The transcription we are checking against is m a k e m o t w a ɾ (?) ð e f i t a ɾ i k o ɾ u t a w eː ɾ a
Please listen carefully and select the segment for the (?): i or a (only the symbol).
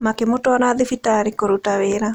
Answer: a